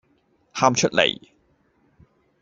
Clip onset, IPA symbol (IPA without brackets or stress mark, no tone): h